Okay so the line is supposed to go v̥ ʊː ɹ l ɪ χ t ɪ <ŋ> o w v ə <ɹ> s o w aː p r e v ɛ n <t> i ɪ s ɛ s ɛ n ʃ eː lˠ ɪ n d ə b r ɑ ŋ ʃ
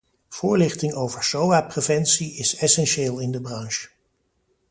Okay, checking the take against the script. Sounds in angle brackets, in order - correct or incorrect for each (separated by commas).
correct, correct, incorrect